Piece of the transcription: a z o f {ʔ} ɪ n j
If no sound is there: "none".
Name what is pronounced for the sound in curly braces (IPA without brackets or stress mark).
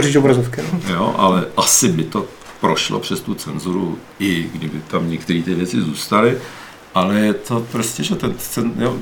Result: k